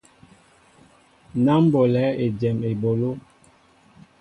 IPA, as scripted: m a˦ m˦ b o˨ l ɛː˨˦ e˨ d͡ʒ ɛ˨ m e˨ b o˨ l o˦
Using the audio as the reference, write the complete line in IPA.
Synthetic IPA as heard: n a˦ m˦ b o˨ l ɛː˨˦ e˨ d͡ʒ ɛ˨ m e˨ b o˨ l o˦